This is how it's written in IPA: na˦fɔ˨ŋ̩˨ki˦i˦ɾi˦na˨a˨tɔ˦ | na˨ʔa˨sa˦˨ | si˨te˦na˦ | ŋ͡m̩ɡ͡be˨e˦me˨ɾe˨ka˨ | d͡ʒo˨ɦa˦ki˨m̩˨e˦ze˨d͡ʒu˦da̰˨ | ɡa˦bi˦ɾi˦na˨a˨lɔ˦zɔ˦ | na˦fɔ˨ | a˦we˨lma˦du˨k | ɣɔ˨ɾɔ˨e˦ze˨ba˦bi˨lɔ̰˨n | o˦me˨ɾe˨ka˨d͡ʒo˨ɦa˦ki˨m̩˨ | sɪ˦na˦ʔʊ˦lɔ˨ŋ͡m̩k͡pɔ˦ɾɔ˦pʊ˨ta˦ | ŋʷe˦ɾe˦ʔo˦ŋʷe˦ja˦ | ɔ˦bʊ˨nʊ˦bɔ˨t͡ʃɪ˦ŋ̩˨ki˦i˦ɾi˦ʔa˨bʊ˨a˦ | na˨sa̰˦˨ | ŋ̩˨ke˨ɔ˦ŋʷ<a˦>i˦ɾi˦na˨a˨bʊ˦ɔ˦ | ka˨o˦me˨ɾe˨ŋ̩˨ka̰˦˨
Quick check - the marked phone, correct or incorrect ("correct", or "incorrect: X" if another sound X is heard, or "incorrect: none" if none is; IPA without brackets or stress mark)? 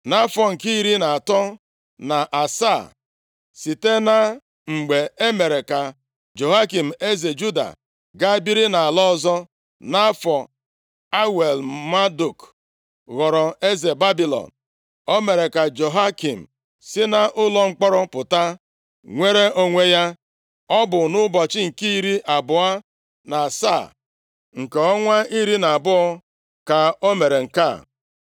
correct